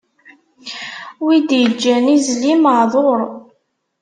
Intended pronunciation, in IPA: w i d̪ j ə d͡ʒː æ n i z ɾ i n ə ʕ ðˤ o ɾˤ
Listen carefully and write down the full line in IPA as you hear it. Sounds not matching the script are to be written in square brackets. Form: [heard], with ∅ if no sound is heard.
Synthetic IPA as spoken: w i d̪ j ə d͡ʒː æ n i z [l] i [m] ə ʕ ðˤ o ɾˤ